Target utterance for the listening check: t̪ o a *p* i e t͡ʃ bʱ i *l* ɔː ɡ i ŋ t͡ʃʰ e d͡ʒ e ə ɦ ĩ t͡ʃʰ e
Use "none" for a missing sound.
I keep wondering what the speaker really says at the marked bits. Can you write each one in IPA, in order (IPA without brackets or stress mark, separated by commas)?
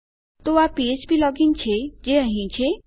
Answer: p, l